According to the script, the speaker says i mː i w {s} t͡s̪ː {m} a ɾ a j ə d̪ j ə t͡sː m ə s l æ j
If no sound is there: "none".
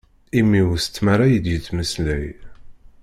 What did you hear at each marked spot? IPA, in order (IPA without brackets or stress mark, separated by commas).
s, m